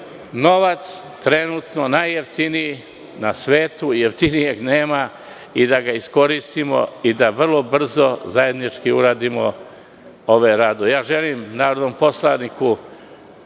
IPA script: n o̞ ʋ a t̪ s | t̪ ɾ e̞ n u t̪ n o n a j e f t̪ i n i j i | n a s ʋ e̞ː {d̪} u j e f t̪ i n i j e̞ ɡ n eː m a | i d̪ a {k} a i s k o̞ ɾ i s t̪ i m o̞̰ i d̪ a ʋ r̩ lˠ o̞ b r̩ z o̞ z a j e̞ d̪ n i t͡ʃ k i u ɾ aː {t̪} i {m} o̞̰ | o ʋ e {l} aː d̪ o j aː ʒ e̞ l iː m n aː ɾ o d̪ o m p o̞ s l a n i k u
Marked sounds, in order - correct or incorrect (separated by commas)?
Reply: incorrect, incorrect, incorrect, correct, incorrect